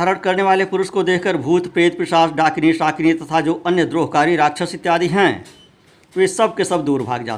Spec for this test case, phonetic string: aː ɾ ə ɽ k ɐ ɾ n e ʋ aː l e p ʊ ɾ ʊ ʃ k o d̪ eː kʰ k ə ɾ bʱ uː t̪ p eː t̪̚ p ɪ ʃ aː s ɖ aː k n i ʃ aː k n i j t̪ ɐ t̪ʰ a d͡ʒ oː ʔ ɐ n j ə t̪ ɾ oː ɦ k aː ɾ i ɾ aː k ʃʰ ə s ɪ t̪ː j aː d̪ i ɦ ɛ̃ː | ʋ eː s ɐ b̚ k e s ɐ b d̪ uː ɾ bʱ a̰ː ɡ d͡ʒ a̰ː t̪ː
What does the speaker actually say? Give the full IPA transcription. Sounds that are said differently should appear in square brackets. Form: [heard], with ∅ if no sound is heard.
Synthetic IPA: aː ɾ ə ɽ k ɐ ɾ n e ʋ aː l e p ʊ ɾ ʊ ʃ k o d̪ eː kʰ k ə ɾ bʱ uː t̪ p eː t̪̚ p ɪ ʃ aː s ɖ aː k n i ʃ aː k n i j t̪ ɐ t̪ʰ a d͡ʒ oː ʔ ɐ n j ə [d̪] ɾ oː ɦ k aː ɾ i ɾ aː k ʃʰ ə s ɪ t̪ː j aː d̪ i ɦ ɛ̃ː | ʋ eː s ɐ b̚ k e s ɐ b d̪ uː ɾ bʱ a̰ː ɡ d͡ʒ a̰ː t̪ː